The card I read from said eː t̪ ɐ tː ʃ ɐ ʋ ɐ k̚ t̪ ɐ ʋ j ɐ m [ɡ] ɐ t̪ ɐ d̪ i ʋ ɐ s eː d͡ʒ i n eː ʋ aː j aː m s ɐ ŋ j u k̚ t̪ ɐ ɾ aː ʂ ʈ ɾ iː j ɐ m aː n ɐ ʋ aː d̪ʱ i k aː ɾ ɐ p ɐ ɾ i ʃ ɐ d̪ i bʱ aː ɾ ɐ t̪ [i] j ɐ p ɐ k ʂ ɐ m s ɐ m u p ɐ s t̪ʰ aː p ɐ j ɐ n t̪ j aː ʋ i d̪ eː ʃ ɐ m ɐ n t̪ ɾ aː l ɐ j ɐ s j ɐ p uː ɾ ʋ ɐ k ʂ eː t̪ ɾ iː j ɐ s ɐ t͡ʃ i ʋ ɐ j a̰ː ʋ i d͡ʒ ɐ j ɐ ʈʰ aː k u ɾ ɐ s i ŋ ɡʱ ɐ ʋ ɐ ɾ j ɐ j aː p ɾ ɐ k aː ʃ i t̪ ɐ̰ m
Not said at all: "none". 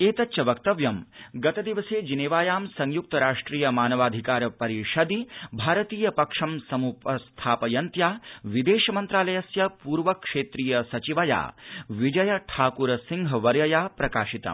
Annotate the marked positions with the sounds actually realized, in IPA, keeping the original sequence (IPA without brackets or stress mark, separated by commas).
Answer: ɡ, iː